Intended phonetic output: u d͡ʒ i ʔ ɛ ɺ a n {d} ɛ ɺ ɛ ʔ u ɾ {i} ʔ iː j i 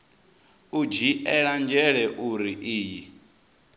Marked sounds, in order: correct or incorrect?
incorrect: d͡ʒ, correct

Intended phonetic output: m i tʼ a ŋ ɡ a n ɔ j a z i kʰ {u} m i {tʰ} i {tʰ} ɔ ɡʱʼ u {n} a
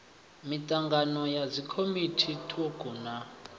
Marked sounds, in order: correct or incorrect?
incorrect: o, correct, correct, correct

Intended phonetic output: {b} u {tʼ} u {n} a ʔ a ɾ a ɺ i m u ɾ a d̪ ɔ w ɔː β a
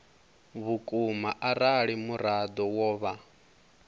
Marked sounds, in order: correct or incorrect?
incorrect: β, incorrect: kʼ, incorrect: m

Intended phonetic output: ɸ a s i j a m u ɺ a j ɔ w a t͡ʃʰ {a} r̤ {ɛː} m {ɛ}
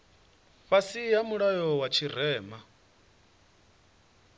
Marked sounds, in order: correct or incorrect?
incorrect: i, correct, incorrect: a

